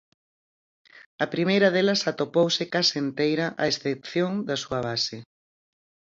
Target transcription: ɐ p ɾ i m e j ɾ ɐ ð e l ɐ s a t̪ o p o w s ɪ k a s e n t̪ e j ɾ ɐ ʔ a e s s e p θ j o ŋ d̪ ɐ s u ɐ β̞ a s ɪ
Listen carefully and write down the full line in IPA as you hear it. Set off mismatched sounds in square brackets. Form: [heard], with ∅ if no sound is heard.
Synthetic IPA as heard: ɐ p ɾ i m e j ɾ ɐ ð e l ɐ s a t̪ o p o w s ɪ k a s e n t̪ e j ɾ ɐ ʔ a e s [θ] e p θ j o ŋ d̪ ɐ s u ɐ β̞ a s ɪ